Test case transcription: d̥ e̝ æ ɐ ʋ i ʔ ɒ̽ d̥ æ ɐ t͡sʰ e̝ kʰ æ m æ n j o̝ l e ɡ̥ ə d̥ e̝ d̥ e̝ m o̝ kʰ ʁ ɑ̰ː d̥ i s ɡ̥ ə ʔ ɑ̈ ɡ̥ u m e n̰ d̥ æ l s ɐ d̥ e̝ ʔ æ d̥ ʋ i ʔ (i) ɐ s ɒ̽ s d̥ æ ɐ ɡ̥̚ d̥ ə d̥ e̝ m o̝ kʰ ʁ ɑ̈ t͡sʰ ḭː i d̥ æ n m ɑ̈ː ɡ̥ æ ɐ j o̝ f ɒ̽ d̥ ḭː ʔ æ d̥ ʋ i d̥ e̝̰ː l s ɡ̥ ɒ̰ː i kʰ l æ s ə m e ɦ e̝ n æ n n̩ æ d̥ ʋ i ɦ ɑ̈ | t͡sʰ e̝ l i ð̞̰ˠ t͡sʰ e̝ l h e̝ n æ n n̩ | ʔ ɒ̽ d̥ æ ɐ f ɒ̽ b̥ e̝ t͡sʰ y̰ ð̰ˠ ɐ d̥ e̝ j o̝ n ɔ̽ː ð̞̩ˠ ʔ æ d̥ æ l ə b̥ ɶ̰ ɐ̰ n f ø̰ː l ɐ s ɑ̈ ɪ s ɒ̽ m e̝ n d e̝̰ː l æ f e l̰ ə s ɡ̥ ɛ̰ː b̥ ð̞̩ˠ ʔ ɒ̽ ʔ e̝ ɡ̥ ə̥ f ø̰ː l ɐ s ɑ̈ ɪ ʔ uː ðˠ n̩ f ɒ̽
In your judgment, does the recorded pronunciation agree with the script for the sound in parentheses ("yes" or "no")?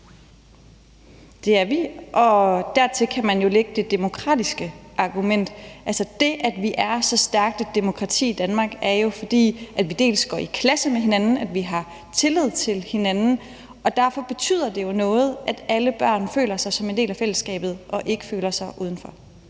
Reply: no